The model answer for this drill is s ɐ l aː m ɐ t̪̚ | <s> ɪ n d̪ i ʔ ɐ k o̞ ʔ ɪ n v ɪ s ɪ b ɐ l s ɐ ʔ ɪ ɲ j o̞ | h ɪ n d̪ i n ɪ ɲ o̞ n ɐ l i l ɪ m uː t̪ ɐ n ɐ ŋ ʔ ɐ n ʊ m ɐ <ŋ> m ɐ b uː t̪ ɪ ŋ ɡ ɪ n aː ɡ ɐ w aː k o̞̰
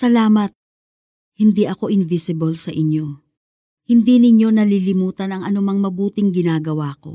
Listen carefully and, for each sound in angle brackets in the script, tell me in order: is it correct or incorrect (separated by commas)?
incorrect, correct